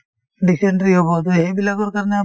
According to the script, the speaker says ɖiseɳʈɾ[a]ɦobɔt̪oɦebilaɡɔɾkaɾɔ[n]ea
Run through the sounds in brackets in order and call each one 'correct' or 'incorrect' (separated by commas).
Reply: incorrect, correct